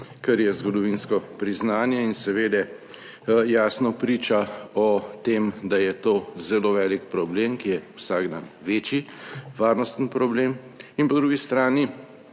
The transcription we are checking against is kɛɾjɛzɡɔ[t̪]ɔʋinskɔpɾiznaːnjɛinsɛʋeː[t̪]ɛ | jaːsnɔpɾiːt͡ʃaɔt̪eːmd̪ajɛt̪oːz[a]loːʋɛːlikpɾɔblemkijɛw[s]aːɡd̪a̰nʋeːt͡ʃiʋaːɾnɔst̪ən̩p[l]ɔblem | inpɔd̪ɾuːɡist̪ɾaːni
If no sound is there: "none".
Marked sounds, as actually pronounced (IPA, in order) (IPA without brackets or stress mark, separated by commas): d̪, d̪, ɛ, s, ɾ